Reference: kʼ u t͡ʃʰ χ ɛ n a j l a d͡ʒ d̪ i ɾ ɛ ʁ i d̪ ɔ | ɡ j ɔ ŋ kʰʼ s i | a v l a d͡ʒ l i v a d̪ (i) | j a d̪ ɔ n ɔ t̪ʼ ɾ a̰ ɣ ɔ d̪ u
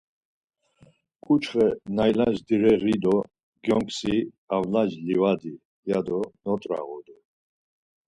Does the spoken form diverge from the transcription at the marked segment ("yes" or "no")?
no